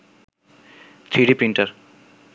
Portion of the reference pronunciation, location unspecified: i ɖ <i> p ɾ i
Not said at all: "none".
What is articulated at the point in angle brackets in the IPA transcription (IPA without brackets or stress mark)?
i